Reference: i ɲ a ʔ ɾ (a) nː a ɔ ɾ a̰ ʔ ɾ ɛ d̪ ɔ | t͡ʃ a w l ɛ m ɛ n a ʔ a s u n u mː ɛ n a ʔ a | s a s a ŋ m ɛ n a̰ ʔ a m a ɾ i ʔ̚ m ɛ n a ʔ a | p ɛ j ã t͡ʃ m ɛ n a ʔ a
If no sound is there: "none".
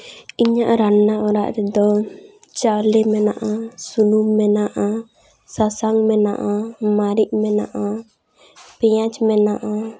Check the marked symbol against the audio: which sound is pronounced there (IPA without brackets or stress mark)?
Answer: a